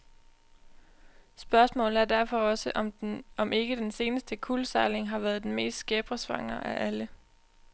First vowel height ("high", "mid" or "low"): low